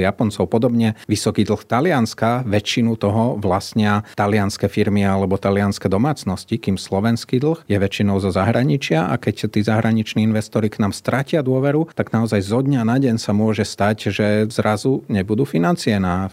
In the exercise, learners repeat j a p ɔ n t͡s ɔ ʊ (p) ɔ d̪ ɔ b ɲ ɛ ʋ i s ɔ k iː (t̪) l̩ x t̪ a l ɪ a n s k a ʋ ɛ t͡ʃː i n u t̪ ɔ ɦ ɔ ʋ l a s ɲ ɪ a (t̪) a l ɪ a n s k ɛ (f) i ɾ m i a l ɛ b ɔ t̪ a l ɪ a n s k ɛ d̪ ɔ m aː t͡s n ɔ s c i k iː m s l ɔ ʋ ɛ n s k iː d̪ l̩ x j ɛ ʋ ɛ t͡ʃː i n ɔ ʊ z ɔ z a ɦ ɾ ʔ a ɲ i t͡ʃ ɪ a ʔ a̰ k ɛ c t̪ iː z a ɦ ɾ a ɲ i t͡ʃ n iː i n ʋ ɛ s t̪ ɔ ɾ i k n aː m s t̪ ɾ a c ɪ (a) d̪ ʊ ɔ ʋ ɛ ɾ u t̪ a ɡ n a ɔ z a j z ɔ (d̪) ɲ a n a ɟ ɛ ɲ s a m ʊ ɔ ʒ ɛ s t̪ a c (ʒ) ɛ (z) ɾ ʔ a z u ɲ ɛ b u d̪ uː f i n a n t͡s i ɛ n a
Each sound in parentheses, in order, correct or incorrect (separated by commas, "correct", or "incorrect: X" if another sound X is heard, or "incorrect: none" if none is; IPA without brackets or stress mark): correct, incorrect: d̪, correct, correct, correct, correct, correct, correct